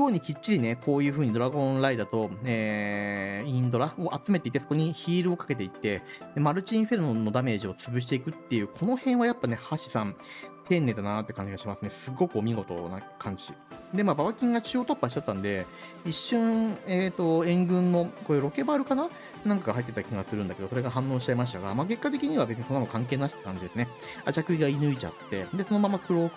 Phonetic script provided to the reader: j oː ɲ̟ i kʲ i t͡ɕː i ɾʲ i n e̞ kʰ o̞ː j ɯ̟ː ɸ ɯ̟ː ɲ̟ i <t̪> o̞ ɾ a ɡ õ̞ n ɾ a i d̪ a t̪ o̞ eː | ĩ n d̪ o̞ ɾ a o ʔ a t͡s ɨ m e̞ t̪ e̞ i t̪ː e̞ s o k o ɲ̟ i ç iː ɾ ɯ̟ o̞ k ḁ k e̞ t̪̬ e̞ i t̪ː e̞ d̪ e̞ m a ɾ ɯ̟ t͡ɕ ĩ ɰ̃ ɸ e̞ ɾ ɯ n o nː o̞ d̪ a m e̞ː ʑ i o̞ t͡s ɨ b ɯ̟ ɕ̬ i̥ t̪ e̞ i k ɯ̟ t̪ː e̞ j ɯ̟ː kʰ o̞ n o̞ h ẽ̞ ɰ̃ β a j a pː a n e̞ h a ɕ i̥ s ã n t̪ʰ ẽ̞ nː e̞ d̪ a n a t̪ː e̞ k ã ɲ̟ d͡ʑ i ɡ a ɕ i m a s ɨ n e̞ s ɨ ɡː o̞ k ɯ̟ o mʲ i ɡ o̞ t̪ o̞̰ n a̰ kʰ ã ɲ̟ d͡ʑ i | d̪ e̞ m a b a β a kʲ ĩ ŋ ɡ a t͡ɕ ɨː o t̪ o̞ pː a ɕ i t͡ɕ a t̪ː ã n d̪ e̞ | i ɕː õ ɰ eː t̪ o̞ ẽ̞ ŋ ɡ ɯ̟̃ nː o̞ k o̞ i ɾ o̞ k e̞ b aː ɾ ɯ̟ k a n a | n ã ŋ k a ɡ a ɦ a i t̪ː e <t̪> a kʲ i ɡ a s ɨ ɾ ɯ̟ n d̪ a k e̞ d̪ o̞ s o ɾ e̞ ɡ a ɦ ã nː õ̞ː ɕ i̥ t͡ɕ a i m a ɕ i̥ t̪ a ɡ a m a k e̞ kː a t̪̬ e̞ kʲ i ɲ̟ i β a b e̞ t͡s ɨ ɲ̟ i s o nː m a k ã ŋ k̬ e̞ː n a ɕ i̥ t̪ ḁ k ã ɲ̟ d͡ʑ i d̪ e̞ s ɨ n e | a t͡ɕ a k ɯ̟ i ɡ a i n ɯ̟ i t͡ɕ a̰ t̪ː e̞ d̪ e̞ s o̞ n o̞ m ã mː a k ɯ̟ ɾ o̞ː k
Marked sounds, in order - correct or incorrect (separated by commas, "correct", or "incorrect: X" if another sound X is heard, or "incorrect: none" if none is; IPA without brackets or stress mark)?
incorrect: d̪, correct